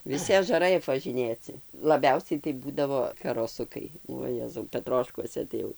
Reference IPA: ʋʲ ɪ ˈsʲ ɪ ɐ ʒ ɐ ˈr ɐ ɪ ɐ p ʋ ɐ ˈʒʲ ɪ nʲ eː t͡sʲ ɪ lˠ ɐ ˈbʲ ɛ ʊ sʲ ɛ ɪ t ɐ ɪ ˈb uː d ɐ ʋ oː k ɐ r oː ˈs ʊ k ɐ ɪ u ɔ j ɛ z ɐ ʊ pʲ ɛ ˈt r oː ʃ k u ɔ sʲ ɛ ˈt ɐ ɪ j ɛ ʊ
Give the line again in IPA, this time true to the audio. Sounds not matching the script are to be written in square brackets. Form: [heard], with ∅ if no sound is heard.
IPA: ʋʲ ɪ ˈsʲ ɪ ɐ ʒ ɐ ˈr ɐ ɪ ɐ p ʋ ɐ ˈʒʲ ɪ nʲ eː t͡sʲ ɪ lˠ ɐ ˈbʲ ɛ ʊ sʲ ɛ ɪ t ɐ ɪ ˈb uː d ɐ ʋ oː k ɐ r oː ˈs ʊ k ɐ ɪ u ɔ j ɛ z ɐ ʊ pʲ ɛ ˈt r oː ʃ k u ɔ sʲ ɛ ˈt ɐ ɪ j ɛ ʊ